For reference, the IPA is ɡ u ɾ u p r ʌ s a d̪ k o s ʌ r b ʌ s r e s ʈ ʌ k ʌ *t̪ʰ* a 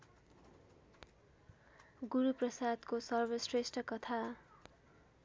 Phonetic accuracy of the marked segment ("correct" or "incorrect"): correct